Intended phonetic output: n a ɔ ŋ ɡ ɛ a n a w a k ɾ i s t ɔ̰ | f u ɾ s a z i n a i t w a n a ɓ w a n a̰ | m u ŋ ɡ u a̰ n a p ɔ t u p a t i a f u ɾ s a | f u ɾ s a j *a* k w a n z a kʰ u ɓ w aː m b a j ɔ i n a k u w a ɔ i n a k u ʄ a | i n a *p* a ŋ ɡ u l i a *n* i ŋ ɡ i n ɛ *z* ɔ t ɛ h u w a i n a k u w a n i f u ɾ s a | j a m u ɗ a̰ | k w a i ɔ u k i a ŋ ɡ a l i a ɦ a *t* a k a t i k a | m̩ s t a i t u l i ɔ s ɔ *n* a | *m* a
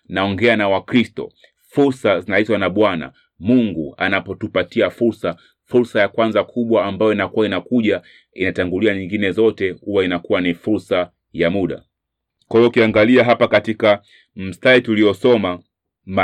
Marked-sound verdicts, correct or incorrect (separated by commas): correct, incorrect, incorrect, correct, incorrect, incorrect, correct